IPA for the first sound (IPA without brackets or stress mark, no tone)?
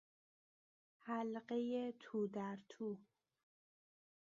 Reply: h